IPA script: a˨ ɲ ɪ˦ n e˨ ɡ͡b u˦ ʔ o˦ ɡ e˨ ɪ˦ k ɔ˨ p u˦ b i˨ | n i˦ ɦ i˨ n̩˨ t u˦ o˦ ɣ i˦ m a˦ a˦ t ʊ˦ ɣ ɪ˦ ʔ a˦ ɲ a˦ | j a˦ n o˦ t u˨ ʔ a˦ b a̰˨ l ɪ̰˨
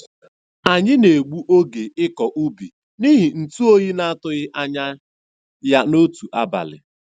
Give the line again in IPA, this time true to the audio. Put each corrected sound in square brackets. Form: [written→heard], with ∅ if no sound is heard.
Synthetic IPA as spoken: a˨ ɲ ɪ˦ n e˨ ɡ͡b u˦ ʔ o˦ ɡ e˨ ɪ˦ k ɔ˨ [p→ʔ] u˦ b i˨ | n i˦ ɦ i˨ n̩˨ t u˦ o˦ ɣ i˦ [m→n] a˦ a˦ t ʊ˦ ɣ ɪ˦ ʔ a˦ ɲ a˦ | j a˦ n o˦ t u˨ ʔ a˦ b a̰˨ l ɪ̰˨